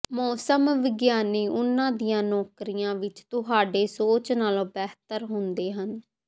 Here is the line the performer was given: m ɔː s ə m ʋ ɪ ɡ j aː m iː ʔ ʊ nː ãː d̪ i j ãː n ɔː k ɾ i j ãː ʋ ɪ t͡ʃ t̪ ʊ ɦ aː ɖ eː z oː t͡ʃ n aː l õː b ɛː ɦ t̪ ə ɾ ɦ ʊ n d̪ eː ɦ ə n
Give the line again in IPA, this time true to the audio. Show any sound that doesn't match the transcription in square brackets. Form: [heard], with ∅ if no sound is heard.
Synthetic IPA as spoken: m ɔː s ə m ʋ ɪ ɡ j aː [n] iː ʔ ʊ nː ãː d̪ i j ãː n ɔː k ɾ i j ãː ʋ ɪ t͡ʃ t̪ ʊ ɦ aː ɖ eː [s] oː t͡ʃ n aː l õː b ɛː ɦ t̪ ə ɾ ɦ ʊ n d̪ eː ɦ ə n